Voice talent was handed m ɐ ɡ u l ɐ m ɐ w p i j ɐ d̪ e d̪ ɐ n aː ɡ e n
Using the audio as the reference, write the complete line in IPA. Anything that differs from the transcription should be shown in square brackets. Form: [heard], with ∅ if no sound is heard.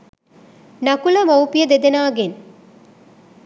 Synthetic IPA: [n] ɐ [k] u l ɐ m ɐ w p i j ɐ d̪ e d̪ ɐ n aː ɡ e n